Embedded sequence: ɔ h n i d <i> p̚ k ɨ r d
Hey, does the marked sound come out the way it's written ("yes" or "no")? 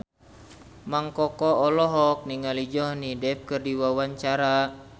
no